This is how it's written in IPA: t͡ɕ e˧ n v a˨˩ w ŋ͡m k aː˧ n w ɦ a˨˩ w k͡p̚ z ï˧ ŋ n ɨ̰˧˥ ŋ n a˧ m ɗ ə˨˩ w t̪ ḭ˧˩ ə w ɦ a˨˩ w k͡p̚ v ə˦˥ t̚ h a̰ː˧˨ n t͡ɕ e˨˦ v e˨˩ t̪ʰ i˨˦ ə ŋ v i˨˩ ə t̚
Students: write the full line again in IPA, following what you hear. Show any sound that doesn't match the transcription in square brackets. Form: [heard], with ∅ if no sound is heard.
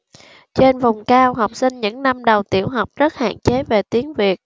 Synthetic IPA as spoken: t͡ɕ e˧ n v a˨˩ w ŋ͡m k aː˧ [∅] w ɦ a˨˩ w k͡p̚ [s] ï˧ ŋ [ɲ] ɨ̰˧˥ ŋ n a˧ m ɗ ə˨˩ w t̪ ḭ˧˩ ə w ɦ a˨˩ w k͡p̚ [z] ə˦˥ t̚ h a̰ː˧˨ n t͡ɕ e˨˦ v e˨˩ [t̪] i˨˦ ə ŋ v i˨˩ ə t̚